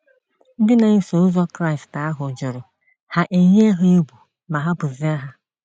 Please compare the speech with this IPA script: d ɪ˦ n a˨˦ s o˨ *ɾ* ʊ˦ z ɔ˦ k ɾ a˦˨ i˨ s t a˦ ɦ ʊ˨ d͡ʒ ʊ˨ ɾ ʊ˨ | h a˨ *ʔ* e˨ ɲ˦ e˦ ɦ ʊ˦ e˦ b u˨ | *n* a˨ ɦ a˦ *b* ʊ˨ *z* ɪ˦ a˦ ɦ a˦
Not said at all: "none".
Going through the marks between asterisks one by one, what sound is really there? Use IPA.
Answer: none, ʔ, m, b, z

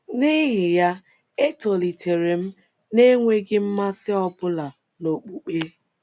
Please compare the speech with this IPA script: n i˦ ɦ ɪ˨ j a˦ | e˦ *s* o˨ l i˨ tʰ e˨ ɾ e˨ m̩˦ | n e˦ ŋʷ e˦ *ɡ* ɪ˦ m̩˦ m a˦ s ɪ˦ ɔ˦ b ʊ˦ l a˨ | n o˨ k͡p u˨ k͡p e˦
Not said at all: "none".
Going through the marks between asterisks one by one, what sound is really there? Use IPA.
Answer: t, ɡ

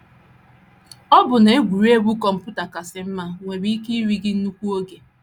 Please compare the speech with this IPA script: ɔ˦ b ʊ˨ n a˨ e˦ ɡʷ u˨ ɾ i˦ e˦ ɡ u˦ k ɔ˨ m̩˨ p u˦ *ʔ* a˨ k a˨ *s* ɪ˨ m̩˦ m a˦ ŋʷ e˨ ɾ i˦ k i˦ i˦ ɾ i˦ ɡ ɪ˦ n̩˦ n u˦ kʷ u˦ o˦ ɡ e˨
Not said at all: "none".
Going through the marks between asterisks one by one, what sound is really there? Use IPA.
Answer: t, s

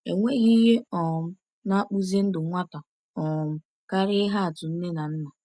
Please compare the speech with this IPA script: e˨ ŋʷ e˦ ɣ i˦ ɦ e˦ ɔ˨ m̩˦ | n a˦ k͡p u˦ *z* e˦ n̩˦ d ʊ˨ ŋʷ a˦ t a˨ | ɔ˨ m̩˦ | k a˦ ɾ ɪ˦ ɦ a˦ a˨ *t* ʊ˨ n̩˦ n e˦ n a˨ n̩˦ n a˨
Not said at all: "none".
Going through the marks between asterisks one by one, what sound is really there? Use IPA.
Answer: z, t

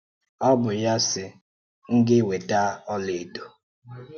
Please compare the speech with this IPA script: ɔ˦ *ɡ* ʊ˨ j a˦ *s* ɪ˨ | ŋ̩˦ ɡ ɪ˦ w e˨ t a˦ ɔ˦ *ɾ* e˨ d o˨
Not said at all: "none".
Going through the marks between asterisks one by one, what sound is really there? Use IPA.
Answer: b, s, l

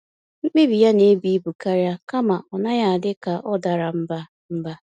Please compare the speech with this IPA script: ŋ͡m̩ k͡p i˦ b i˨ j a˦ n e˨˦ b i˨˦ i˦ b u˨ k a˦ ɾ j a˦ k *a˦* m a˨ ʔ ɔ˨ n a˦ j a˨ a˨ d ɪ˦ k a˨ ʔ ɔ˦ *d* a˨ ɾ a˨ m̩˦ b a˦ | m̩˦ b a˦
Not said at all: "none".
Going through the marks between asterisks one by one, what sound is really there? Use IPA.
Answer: a˦, d

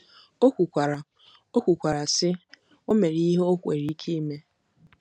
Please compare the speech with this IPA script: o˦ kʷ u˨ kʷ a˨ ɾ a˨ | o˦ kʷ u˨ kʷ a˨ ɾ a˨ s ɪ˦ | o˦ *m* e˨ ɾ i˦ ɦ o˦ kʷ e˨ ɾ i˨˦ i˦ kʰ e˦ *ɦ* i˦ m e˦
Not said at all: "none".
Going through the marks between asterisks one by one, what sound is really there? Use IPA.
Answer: m, none

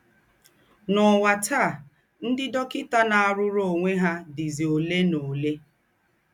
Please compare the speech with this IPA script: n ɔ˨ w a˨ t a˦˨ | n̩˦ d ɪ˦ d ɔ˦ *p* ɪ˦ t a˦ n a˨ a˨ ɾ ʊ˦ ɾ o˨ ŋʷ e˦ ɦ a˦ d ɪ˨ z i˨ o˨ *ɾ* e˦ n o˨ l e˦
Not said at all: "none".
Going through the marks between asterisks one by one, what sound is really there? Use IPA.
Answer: k, l

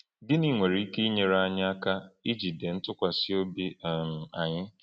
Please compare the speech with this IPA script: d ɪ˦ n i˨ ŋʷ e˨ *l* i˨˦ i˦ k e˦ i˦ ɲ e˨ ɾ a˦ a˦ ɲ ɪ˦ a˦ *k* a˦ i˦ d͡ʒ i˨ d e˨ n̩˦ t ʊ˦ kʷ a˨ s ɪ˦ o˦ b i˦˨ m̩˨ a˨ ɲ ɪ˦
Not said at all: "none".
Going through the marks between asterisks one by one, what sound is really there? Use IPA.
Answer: ɾ, k

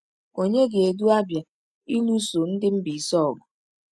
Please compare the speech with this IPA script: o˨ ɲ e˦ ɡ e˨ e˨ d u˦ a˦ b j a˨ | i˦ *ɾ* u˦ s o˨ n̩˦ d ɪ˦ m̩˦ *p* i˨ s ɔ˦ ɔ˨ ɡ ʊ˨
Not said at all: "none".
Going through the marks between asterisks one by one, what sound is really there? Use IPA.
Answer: l, b

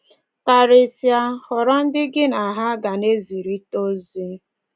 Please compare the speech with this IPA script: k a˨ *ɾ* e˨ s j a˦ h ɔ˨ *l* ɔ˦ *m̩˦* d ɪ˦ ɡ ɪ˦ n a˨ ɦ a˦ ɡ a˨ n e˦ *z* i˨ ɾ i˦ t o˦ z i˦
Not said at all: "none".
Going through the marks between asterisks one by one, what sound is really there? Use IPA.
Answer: ɾ, ɾ, n̩˦, z

